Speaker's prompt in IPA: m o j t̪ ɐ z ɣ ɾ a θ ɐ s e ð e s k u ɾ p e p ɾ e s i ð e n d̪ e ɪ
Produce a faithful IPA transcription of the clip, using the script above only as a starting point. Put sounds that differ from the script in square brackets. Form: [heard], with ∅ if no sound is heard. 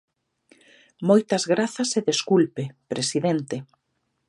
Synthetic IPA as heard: m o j t̪ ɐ z ɣ ɾ a θ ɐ s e ð e s k u [l] p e p ɾ e s i ð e n [t̪] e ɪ